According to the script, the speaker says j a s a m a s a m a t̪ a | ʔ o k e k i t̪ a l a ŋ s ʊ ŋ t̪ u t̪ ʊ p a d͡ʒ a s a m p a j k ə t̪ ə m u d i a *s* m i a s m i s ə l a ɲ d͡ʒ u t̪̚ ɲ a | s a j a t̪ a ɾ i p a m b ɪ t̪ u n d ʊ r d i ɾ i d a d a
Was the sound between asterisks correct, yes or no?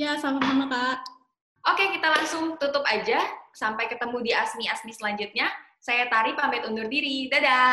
yes